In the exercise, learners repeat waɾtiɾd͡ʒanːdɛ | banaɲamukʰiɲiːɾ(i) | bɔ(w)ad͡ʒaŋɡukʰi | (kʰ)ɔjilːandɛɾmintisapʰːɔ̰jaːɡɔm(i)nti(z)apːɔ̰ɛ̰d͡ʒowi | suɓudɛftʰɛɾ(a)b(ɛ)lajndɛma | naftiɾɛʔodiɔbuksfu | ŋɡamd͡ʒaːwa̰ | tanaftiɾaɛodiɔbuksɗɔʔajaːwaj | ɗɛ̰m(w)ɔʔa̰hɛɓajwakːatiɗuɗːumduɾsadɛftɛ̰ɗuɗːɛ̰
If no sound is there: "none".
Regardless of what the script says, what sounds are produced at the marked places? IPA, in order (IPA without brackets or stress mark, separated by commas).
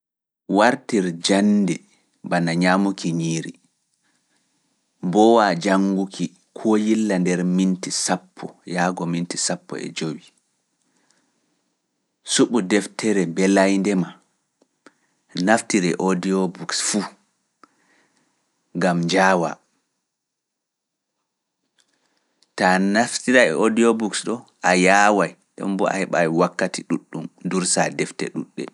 i, w, kʰ, i, s, ɛ, ɛ, b